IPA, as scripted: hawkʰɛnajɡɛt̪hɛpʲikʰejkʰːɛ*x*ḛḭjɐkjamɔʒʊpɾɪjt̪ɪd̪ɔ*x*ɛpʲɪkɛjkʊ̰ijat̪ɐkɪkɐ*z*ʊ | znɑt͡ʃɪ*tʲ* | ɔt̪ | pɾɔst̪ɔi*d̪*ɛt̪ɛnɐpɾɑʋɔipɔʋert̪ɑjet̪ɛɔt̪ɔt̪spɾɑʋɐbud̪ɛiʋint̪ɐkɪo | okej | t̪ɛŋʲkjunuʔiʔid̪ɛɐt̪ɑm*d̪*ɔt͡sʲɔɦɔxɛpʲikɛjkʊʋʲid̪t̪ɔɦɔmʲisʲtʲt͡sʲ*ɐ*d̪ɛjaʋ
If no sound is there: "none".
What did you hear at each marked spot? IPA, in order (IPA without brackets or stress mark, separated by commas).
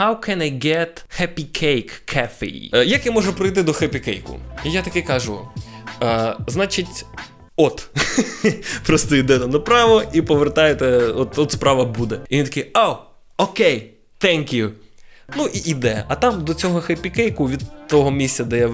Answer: f, x, ʒ, tʲ, d̪, d̪, ɐ